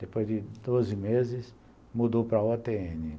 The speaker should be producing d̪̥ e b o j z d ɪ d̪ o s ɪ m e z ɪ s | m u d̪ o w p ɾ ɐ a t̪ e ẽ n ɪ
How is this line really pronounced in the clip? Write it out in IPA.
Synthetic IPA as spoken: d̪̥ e p o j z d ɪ d̪ o z ɪ m e z ɪ s | m u d̪ o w p ɾ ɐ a t̪ e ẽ n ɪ